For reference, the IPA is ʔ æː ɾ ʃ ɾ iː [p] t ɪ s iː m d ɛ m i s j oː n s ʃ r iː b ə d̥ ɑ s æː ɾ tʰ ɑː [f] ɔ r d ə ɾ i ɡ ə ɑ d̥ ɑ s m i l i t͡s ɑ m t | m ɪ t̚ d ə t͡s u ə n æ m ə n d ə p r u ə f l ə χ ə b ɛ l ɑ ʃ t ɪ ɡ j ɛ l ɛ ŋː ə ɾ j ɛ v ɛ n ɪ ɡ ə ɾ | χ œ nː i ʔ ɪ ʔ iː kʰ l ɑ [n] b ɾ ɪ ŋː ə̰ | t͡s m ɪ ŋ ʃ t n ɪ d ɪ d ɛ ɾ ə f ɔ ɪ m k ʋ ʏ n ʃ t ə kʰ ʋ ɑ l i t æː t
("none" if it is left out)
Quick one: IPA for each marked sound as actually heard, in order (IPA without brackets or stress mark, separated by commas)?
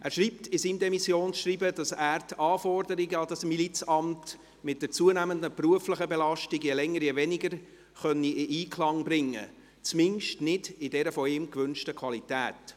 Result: p, f, ŋ